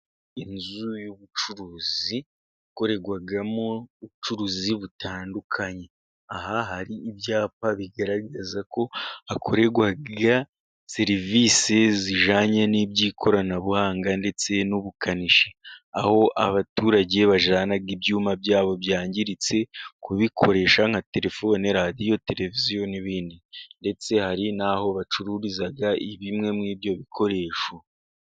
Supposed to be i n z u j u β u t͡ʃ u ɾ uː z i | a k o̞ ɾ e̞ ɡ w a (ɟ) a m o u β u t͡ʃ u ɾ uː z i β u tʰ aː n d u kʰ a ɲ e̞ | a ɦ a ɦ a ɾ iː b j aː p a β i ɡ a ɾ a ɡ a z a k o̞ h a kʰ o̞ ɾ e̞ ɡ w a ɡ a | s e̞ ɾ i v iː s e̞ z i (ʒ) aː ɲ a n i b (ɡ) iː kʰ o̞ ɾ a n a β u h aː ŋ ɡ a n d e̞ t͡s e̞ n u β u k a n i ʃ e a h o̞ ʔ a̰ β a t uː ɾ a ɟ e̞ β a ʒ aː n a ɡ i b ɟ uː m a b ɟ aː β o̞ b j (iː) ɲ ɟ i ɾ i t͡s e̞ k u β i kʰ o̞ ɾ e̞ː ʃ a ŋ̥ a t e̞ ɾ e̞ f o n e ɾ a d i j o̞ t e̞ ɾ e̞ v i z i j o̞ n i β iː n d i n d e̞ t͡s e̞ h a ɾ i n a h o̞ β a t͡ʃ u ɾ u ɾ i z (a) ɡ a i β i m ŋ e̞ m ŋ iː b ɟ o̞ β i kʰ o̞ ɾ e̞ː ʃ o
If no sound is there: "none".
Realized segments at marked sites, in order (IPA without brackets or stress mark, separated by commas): ɡ, ʒ, ɟ, aː, a